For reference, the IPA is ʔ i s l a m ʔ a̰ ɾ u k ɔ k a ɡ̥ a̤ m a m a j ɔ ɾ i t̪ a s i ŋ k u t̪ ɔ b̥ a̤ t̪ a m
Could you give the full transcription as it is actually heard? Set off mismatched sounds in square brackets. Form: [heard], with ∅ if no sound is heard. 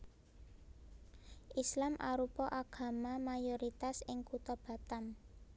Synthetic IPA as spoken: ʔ i s l a m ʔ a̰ ɾ u [p] ɔ [ʔ] a ɡ̥ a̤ m a m a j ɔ ɾ i t̪ a s [ɪ] ŋ k u t̪ ɔ b̥ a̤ t̪ a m